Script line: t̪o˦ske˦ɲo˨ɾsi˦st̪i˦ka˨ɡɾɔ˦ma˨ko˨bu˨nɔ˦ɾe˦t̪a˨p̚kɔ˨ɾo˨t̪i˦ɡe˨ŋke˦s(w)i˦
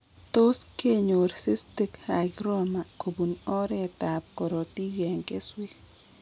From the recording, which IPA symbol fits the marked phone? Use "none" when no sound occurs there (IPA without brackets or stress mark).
w